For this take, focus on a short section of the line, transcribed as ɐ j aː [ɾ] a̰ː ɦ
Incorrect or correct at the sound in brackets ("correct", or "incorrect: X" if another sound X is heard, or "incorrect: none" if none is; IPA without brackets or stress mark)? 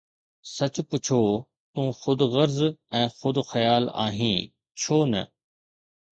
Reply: incorrect: l